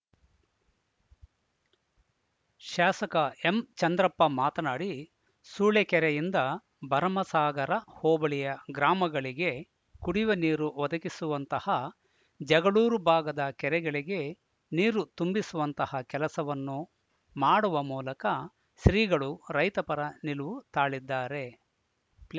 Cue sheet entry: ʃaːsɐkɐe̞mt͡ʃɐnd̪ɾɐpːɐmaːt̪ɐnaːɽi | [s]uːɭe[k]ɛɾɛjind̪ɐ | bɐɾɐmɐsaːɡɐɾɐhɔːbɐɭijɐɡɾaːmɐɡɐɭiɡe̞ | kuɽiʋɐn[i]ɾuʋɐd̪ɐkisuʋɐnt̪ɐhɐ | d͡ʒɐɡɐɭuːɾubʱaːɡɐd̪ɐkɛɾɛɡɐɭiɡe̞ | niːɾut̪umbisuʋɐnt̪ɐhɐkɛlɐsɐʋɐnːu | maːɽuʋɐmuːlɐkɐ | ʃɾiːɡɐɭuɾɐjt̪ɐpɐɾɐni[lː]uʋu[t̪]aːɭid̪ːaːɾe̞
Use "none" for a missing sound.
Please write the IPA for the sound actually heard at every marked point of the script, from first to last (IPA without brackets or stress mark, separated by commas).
s, k, iː, l, t̪